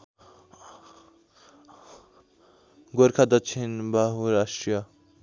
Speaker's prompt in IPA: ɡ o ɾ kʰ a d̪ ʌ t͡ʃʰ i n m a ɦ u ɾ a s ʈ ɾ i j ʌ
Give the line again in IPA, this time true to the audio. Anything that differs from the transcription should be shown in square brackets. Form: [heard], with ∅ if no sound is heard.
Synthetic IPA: ɡ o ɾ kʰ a d̪ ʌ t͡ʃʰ i n [b] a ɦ u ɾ a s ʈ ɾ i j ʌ